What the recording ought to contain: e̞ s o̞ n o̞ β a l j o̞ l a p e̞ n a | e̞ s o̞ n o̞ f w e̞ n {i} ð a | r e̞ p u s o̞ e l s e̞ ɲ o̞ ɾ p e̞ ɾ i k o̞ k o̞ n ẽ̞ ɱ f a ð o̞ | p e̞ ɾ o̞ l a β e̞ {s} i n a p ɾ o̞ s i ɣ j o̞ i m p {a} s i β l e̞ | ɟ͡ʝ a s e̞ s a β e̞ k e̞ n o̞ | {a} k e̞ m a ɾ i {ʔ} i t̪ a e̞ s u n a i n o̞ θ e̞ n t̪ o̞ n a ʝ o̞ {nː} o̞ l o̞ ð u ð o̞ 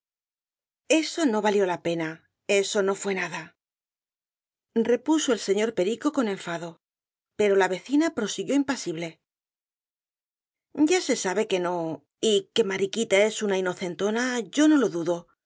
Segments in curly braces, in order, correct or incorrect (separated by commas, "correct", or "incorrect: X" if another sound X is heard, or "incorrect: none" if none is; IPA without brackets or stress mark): incorrect: a, incorrect: θ, correct, incorrect: i, incorrect: k, incorrect: n